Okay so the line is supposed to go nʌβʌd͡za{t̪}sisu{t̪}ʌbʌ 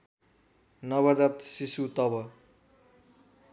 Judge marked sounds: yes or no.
yes, yes

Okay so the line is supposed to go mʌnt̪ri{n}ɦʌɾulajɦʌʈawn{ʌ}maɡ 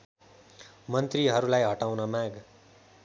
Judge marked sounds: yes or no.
no, yes

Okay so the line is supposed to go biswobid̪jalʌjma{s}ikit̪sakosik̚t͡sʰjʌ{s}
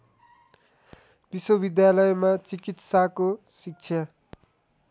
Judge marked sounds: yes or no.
no, no

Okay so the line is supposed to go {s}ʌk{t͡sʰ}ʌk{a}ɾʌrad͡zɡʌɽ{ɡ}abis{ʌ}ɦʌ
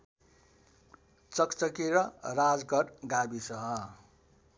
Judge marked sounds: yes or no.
no, no, no, yes, yes

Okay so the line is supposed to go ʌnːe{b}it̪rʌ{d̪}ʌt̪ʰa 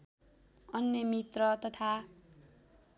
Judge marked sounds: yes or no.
no, no

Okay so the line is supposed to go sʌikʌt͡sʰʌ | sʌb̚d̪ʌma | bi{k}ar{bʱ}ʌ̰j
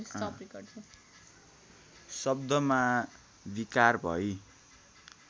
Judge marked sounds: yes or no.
yes, yes

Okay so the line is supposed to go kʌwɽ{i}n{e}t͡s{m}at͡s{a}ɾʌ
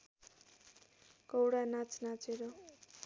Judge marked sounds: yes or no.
no, no, no, no

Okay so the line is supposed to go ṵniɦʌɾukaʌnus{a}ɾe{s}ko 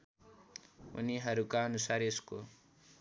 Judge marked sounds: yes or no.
yes, yes

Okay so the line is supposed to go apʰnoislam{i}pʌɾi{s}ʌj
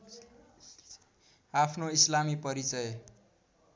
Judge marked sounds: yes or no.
yes, no

